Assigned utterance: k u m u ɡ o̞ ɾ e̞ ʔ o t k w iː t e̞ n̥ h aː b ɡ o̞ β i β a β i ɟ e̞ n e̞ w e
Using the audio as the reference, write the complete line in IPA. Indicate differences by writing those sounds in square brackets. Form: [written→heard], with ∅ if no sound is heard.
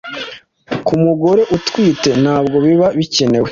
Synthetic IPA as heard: k u m u ɡ o̞ ɾ e̞ ʔ [o→u] t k w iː t e̞ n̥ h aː b ɡ o̞ β i β a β i [ɟ→c] e̞ n e̞ w e